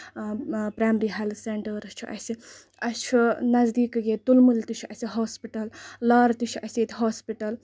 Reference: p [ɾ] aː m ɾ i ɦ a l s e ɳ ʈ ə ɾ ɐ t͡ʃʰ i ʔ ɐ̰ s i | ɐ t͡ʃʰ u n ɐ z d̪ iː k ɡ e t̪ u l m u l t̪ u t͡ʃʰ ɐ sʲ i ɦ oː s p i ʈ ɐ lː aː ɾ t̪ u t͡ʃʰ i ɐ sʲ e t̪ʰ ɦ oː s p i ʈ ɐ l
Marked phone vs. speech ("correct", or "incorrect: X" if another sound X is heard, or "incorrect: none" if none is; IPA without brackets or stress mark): correct